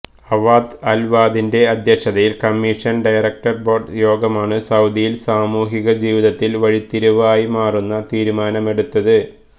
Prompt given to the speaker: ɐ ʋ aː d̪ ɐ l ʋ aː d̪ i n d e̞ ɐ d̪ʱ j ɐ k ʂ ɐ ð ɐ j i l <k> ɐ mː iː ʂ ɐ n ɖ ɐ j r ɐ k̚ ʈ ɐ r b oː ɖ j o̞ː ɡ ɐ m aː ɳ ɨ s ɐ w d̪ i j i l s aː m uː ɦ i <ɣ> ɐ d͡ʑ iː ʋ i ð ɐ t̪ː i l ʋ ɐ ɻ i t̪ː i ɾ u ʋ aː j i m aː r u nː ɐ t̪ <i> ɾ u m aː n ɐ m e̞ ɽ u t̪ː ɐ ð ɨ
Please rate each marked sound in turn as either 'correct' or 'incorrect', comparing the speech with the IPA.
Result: correct, correct, incorrect: iː

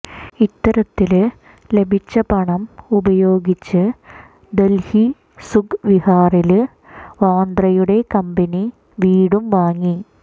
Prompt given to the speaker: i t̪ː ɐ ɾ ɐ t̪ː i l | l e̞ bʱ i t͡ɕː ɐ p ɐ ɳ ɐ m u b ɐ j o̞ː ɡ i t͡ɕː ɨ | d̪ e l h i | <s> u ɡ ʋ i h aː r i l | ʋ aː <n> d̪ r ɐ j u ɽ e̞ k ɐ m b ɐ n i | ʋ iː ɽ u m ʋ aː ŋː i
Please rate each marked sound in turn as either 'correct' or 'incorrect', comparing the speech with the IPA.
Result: correct, correct

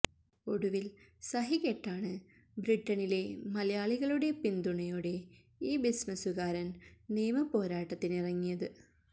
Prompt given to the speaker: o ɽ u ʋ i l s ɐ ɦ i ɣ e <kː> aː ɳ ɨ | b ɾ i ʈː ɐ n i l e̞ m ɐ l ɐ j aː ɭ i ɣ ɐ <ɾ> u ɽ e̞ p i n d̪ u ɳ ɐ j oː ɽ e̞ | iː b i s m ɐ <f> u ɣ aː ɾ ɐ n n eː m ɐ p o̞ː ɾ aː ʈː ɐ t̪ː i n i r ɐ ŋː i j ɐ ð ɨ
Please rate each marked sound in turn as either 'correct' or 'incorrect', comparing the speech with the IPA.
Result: incorrect: ʈː, incorrect: ɭ, incorrect: s

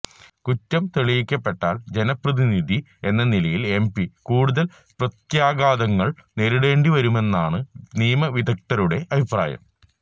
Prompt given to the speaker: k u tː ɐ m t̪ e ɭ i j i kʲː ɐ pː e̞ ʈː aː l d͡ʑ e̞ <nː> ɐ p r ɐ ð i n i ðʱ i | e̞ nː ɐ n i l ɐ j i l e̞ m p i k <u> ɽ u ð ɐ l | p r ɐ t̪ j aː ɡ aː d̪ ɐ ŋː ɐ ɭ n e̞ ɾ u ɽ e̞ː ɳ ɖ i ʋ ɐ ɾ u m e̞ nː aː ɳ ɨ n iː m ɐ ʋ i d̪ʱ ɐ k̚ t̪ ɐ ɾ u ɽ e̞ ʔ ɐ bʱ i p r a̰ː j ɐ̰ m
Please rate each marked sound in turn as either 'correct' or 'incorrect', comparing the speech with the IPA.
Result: incorrect: n, incorrect: uː

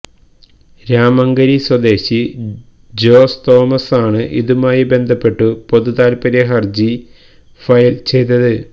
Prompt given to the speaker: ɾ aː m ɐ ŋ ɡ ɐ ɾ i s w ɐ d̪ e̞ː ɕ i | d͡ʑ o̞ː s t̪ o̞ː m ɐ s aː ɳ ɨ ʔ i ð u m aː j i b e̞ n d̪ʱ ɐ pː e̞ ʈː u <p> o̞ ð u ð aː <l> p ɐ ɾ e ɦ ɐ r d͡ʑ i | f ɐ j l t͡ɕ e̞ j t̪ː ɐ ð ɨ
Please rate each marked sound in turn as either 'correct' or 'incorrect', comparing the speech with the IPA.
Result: correct, correct

